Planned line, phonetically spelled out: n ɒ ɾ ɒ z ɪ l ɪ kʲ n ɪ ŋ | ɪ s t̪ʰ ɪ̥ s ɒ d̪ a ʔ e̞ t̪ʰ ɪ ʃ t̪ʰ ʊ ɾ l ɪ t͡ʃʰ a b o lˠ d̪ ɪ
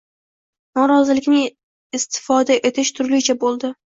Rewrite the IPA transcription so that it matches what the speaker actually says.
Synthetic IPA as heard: n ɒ ɾ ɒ z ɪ l ɪ kʲ n ɪ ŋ | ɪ s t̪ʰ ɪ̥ f ɒ d̪ a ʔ e̞ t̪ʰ ɪ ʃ t̪ʰ ʊ ɾ l ɪ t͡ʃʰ a b o lˠ d̪ ɪ